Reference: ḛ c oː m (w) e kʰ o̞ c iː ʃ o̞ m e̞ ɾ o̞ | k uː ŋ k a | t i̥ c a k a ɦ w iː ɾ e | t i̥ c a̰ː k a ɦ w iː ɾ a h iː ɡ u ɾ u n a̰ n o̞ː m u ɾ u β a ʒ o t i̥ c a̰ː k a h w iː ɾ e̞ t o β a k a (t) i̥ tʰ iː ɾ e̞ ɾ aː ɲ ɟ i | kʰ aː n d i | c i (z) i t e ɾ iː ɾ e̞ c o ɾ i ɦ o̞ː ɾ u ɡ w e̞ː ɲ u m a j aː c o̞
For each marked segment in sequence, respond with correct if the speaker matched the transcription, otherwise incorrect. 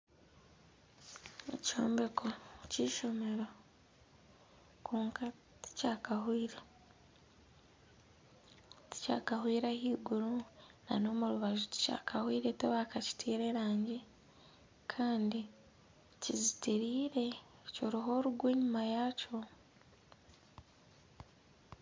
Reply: incorrect: b, incorrect: c, correct

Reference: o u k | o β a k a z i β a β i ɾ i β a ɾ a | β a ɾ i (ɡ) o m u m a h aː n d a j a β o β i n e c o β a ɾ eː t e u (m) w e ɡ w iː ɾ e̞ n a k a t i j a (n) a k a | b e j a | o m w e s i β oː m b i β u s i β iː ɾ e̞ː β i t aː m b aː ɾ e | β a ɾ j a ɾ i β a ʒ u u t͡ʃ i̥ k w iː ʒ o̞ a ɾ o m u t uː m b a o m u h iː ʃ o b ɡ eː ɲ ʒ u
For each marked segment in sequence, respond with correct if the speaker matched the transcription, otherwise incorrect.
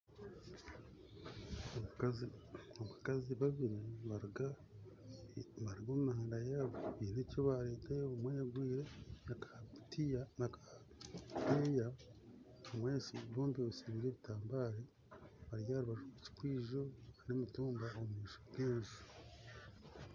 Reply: correct, correct, correct

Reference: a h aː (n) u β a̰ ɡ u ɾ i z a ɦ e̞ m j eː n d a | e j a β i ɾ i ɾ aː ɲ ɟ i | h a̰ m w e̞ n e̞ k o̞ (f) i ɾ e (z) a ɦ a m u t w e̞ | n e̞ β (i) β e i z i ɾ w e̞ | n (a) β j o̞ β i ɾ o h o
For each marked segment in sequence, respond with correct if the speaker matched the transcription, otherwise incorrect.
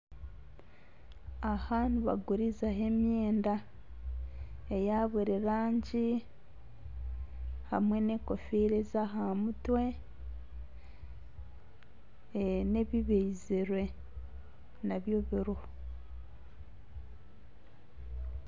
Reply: correct, correct, correct, correct, correct

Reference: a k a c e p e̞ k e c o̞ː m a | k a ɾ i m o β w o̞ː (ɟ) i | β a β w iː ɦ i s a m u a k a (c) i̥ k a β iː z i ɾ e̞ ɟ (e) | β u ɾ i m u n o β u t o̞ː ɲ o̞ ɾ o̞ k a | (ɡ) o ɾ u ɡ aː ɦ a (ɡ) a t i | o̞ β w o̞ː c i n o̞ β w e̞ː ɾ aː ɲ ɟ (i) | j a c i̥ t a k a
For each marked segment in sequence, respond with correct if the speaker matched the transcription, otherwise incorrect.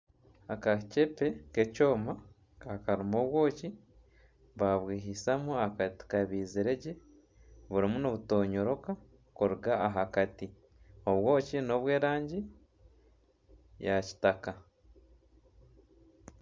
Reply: incorrect: c, incorrect: t, correct, incorrect: k, incorrect: k, correct

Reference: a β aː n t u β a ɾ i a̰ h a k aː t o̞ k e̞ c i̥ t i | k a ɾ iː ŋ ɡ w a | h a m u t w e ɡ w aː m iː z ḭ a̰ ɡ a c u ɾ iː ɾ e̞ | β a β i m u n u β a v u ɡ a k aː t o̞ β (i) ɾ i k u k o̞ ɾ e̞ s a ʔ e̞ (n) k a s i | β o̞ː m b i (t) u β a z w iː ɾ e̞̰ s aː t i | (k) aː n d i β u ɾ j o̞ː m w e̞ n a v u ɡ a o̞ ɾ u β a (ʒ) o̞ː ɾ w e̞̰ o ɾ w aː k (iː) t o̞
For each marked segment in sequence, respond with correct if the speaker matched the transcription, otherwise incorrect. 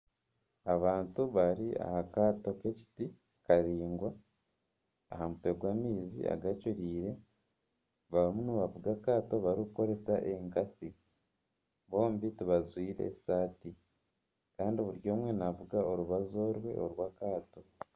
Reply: incorrect: a, incorrect: ŋ, correct, correct, incorrect: z, incorrect: aː

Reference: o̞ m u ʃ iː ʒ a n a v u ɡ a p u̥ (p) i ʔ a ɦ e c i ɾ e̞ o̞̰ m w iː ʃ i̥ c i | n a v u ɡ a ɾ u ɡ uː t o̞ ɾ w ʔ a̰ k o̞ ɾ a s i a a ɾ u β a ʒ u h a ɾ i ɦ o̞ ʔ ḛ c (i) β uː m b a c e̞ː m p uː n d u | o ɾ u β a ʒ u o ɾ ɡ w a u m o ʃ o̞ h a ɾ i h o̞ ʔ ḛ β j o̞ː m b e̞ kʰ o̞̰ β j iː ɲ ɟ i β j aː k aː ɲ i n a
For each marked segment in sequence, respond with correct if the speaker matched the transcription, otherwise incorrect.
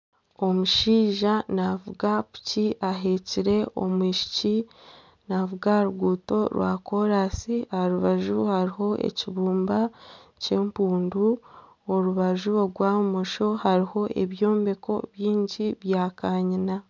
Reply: incorrect: c, correct

